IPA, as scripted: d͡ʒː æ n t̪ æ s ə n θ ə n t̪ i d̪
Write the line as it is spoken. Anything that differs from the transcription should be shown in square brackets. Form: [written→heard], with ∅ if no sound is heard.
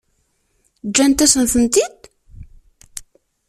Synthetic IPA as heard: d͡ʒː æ n t̪ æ s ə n θ ə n t̪ i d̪